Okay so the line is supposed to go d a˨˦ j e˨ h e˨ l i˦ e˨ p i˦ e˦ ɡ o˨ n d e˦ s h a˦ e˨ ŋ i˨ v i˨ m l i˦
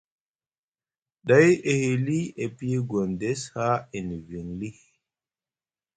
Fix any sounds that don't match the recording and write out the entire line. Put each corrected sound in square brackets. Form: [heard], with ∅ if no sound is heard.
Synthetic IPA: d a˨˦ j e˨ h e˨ l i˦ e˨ p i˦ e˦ ɡ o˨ n d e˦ s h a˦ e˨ [n] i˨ v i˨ [ŋ] l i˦